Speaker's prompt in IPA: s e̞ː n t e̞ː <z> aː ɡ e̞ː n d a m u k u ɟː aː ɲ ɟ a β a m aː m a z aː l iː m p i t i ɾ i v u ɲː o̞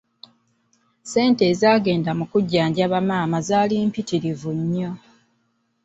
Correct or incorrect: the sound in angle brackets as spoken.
correct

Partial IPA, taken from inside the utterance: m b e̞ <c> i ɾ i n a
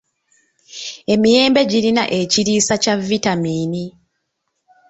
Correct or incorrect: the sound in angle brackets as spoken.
incorrect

